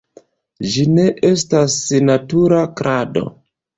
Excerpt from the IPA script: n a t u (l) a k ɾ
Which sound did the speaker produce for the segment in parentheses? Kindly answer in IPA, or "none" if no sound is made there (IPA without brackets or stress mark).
ɾ